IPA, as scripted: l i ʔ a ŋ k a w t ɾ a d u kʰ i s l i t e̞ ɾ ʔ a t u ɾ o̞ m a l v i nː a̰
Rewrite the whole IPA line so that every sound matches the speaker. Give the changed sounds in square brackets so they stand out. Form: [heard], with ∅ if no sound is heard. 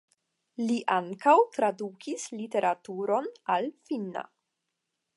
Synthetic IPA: l i ʔ a ŋ k a w t ɾ a d u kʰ i s l i t e̞ ɾ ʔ a t u ɾ o̞ [n] a l [f] i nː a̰